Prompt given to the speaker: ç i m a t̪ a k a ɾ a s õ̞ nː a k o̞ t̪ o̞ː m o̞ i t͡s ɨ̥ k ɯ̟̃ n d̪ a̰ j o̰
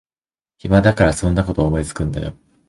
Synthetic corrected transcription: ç i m a d̪ a k a ɾ a s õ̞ nː a k o̞ t̪ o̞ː m o̞ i t͡s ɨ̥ k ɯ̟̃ n d̪ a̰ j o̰